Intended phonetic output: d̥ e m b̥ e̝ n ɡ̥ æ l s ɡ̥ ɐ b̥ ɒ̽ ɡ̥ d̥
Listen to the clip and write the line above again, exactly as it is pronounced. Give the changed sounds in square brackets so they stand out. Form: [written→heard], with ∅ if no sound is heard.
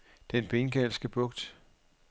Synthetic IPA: d̥ e [m→n] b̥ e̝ n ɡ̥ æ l s ɡ̥ [ɐ→ə] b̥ [ɒ̽→ɔ̽] ɡ̥ d̥